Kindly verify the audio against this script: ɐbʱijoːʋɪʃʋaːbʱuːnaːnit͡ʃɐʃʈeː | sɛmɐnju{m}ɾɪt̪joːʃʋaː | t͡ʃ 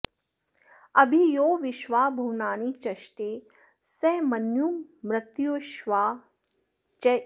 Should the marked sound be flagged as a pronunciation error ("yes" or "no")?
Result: no